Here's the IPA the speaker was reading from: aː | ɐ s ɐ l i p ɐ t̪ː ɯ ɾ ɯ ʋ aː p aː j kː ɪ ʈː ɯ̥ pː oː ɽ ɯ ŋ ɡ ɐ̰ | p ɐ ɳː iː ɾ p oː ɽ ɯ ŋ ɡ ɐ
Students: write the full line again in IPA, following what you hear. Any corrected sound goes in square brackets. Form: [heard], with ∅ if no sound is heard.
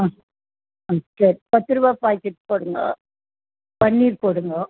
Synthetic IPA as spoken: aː | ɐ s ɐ [ɾ] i p ɐ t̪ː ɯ ɾ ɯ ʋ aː p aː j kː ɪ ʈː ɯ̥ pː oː ɽ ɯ ŋ ɡ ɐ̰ | p ɐ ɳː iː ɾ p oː ɽ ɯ ŋ ɡ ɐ

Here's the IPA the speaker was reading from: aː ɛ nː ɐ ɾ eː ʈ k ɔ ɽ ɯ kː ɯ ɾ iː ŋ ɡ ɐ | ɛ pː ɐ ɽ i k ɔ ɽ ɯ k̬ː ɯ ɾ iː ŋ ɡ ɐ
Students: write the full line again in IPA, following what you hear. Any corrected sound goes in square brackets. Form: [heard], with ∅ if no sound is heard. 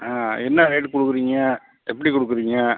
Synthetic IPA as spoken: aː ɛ nː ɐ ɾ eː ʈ k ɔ ɽ ɯ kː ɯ ɾ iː ŋ ɡ ɐ | ɛ pː ɐ ɽ i k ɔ ɽ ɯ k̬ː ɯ ɾ iː ŋ ɡ ɐ

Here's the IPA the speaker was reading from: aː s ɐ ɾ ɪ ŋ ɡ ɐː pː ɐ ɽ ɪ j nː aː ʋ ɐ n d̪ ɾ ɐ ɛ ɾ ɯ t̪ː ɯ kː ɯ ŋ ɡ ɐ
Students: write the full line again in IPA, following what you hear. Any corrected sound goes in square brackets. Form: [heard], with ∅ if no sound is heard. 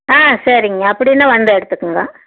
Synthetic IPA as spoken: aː s ɐ ɾ ɪ ŋ ɡ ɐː pː ɐ ɽ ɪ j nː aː ʋ ɐ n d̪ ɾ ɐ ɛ [ɽ] ɯ t̪ː ɯ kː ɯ ŋ ɡ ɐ

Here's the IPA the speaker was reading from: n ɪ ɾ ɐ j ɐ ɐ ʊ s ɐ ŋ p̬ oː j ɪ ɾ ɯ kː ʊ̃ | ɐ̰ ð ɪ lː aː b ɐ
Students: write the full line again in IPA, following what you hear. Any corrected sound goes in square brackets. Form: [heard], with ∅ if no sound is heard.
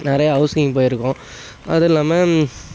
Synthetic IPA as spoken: n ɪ ɾ ɐ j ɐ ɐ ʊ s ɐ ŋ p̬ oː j ɪ ɾ ɯ kː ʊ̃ | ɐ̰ ð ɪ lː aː [m] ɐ

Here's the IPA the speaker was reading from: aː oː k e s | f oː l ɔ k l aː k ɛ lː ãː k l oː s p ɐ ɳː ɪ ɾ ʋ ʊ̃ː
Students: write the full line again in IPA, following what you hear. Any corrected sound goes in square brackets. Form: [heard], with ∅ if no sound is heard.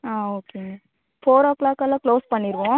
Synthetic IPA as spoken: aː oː k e [∅] | f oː [ɾ] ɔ k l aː k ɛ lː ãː k l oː s p ɐ ɳː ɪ ɾ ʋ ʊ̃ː

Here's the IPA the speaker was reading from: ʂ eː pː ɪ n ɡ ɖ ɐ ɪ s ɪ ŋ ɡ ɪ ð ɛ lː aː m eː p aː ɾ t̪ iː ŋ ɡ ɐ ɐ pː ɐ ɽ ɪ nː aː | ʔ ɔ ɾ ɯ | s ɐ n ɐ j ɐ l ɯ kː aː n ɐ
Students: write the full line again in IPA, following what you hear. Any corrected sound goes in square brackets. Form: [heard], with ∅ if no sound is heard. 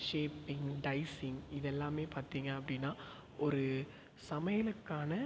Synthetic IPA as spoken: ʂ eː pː ɪ [ŋ] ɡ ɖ ɐ ɪ s ɪ ŋ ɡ ɪ ð ɛ lː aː m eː p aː ɾ t̪ iː ŋ ɡ ɐ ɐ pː ɐ ɽ ɪ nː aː | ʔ ɔ ɾ ɯ | s ɐ [m] ɐ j ɐ l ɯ kː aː n ɐ

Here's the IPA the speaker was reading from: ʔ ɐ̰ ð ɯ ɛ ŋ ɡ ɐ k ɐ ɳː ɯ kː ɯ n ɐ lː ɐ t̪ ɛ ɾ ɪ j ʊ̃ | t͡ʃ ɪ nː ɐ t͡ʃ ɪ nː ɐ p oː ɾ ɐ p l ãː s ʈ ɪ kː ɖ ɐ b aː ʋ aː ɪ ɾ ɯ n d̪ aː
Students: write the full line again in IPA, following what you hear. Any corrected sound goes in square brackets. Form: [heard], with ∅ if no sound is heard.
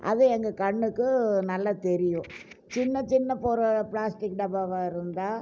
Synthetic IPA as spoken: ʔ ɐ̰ ð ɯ ɛ ŋ ɡ ɐ k ɐ ɳː ɯ kː ɯ n ɐ lː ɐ t̪ ɛ ɾ ɪ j ʊ̃ | t͡ʃ ɪ nː ɐ t͡ʃ ɪ nː ɐ p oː ɾ ɐ p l [aː] s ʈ ɪ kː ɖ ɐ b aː ʋ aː ɪ ɾ ɯ n d̪ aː

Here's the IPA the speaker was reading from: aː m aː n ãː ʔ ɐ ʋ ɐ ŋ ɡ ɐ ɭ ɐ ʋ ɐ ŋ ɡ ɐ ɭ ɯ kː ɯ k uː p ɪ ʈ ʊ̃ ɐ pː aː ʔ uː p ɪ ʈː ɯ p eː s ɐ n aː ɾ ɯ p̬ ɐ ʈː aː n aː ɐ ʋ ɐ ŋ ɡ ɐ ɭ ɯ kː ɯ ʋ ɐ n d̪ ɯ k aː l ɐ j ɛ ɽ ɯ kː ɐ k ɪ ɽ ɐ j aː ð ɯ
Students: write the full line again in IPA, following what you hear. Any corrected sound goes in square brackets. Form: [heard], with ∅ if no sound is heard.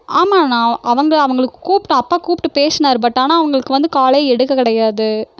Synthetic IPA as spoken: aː m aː n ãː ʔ ɐ ʋ ɐ ŋ ɡ ɐ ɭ ɐ ʋ ɐ ŋ ɡ ɐ ɭ ɯ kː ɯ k uː p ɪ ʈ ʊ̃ ɐ pː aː [k] uː p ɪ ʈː ɯ p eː s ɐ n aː ɾ ɯ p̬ ɐ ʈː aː n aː ɐ ʋ ɐ ŋ ɡ ɐ ɭ ɯ kː ɯ ʋ ɐ n d̪ ɯ k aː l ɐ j ɛ ɽ ɯ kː ɐ k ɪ ɽ ɐ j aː ð ɯ

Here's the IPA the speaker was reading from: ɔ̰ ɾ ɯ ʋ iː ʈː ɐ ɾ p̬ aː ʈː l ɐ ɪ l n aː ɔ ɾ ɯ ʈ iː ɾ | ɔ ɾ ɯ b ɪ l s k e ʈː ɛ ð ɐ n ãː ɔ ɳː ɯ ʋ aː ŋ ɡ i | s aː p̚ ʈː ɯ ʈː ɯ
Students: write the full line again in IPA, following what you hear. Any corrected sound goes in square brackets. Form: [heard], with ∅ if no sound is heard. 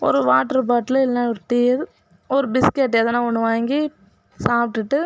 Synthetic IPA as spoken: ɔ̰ ɾ ɯ ʋ [aː] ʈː ɐ ɾ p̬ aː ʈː l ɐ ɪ l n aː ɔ ɾ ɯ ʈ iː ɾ | ɔ ɾ ɯ b ɪ [∅] s k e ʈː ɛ ð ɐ n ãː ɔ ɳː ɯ ʋ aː ŋ ɡ i | s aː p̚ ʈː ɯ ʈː ɯ

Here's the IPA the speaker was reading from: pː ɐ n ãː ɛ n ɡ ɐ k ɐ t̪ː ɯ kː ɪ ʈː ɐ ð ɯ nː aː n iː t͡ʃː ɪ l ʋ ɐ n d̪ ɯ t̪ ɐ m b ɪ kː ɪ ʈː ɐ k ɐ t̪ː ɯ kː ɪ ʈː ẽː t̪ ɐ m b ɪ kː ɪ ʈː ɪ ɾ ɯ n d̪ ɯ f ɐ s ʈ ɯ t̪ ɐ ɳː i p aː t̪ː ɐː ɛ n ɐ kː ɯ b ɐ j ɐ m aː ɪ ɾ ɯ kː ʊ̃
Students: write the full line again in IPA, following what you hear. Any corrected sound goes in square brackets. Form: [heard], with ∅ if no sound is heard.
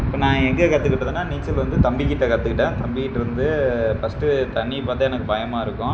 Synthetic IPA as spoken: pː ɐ n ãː ɛ [ŋ] ɡ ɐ k ɐ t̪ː ɯ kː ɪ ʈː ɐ ð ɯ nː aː n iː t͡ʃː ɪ l ʋ ɐ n d̪ ɯ t̪ ɐ m b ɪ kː ɪ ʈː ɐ k ɐ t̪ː ɯ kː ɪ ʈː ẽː t̪ ɐ m b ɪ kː ɪ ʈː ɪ ɾ ɯ n d̪ ɯ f ɐ s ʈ ɯ t̪ ɐ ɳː i p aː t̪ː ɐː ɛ n ɐ kː ɯ b ɐ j ɐ m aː ɪ ɾ ɯ kː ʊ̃

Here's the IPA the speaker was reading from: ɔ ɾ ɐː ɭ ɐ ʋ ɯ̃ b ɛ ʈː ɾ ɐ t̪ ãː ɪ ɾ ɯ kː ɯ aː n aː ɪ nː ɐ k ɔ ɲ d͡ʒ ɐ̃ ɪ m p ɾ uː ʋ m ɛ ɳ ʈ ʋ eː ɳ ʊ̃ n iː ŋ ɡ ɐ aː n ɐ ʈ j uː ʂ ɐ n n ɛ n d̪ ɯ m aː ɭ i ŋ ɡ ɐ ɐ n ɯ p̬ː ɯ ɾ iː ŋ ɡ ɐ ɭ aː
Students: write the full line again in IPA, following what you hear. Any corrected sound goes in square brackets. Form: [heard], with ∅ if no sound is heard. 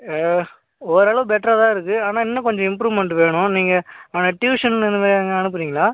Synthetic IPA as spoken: ɔ ɾ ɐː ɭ ɐ ʋ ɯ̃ b ɛ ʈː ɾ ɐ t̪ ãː ɪ ɾ ɯ kː ɯ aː n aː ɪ nː ɐ k ɔ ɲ d͡ʒ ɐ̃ ɪ m p ɾ uː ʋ m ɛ ɳ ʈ ʋ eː ɳ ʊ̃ n iː ŋ ɡ ɐ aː n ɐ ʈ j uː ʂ ɐ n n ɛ n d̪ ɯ m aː [ɾ] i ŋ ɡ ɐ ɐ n ɯ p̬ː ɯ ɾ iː ŋ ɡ ɐ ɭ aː

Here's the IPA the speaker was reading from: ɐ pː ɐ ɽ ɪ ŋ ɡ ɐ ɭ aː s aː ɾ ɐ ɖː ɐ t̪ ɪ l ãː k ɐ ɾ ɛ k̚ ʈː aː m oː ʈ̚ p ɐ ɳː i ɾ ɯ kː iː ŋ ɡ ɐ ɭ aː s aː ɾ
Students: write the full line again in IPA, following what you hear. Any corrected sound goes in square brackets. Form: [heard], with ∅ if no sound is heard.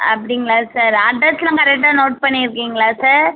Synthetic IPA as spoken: ɐ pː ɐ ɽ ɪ ŋ ɡ ɐ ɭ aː s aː ɾ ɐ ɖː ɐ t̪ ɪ l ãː k ɐ ɾ ɛ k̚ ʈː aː [n] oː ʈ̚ p ɐ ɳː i ɾ ɯ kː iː ŋ ɡ ɐ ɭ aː s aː ɾ

